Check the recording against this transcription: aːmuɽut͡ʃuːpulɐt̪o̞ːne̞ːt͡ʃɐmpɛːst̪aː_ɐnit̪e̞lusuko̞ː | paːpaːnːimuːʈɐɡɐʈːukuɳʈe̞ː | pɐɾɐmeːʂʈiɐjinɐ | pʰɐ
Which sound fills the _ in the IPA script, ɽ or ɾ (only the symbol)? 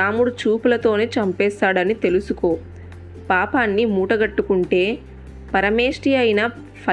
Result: ɽ